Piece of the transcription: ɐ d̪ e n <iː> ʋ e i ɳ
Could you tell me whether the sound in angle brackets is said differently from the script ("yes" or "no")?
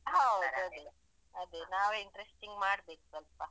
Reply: yes